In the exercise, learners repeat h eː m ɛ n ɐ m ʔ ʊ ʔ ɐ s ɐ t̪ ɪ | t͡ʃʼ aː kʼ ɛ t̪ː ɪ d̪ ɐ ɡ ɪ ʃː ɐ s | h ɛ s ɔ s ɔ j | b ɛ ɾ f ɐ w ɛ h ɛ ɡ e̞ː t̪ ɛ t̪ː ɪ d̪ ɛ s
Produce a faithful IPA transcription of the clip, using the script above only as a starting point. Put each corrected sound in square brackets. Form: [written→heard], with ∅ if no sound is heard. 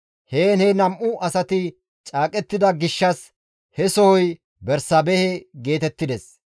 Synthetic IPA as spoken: h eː [m→n] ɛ n ɐ m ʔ ʊ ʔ ɐ s ɐ t̪ ɪ | t͡ʃʼ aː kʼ ɛ t̪ː ɪ d̪ ɐ ɡ ɪ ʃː ɐ s | h ɛ s ɔ [s→h] ɔ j | b ɛ ɾ [f→s] ɐ [w→b] ɛ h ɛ ɡ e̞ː t̪ ɛ t̪ː ɪ d̪ ɛ s

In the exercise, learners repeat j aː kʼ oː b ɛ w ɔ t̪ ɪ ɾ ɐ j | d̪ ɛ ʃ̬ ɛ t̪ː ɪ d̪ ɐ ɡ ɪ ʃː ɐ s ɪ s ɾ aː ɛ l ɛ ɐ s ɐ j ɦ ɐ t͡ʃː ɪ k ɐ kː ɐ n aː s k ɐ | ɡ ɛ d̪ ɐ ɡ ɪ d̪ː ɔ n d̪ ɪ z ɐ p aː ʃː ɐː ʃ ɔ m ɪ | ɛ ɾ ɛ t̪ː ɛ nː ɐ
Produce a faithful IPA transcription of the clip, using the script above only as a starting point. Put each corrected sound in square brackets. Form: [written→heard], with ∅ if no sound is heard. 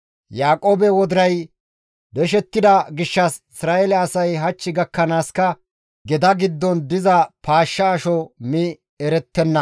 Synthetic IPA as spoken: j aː kʼ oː b ɛ w ɔ [t̪→d̪] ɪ ɾ ɐ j | d̪ ɛ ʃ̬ ɛ t̪ː ɪ d̪ ɐ ɡ ɪ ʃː ɐ s ɪ s ɾ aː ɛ l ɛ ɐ s ɐ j ɦ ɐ t͡ʃː ɪ [k→ɡ] ɐ kː ɐ n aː s k ɐ | ɡ ɛ d̪ ɐ ɡ ɪ d̪ː ɔ n d̪ ɪ z ɐ p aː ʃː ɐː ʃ ɔ m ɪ | ɛ ɾ ɛ t̪ː ɛ nː ɐ

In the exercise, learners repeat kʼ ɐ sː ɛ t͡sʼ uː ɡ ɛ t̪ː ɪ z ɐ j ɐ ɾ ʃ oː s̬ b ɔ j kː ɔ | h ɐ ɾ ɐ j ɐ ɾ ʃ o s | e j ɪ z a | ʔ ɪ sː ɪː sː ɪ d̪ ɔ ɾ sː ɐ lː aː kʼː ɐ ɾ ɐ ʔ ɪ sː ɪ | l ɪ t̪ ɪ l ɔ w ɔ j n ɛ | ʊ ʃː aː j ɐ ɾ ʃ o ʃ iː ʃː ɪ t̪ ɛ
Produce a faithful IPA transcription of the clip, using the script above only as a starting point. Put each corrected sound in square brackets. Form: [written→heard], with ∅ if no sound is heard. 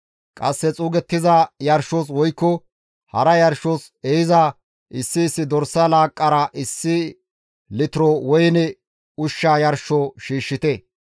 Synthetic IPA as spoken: kʼ ɐ sː ɛ t͡sʼ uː ɡ ɛ t̪ː ɪ z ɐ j ɐ ɾ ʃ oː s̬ [b→w] ɔ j kː ɔ | h ɐ ɾ ɐ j ɐ ɾ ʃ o s | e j ɪ z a | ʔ ɪ sː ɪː sː ɪ d̪ ɔ ɾ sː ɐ [lː→l] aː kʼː ɐ ɾ ɐ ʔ ɪ sː ɪ | l ɪ t̪ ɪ [l→ɾ] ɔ w ɔ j n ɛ | ʊ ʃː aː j ɐ ɾ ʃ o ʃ iː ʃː ɪ t̪ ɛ

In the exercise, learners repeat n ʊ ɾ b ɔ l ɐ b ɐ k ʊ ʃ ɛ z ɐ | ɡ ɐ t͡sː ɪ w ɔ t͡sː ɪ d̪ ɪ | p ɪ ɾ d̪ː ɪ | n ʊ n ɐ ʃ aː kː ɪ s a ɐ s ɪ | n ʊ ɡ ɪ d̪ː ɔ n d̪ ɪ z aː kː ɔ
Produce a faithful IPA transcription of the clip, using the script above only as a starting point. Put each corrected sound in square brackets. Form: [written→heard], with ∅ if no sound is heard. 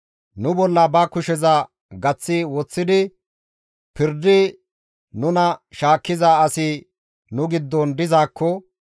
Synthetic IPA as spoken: n ʊ [ɾ→∅] b ɔ [l→lː] ɐ b ɐ k ʊ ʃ ɛ z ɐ | ɡ ɐ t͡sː ɪ w ɔ t͡sː ɪ d̪ ɪ | p ɪ ɾ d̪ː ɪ | n ʊ n ɐ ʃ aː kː ɪ [s→z] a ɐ s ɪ | n ʊ ɡ ɪ d̪ː ɔ n d̪ ɪ z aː kː ɔ

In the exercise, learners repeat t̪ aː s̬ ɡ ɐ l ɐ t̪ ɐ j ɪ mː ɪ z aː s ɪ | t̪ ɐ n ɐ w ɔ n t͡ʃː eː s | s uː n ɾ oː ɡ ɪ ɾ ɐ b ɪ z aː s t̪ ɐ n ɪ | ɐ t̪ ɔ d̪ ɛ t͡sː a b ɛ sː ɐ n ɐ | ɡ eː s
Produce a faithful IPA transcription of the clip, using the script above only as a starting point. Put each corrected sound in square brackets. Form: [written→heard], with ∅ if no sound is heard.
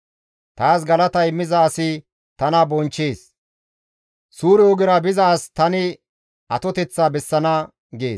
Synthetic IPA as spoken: t̪ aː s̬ ɡ ɐ l ɐ t̪ ɐ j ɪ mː ɪ z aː s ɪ | t̪ ɐ n ɐ [w→b] ɔ n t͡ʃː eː s | s uː [n→∅] ɾ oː ɡ ɪ ɾ ɐ b ɪ z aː s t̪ ɐ n ɪ | ɐ t̪ ɔ [d̪→t̪] ɛ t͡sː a b ɛ sː ɐ n ɐ | ɡ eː s

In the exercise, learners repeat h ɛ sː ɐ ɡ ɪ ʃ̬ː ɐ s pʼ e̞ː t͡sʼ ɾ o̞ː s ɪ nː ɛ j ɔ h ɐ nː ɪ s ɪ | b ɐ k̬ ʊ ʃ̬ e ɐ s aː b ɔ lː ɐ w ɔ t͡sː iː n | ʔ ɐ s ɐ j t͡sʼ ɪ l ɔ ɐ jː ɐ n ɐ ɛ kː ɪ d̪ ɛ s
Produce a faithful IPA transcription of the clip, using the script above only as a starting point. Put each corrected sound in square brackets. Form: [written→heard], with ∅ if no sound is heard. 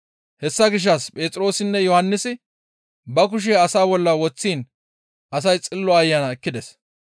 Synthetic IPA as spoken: h ɛ sː ɐ ɡ ɪ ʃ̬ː ɐ s pʼ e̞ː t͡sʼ ɾ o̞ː s ɪ nː ɛ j ɔ h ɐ nː ɪ s ɪ | b ɐ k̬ ʊ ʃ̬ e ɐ s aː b ɔ lː ɐ w ɔ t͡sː iː n | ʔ ɐ s ɐ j t͡sʼ ɪ [l→lː] ɔ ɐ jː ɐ n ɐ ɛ kː ɪ d̪ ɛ s

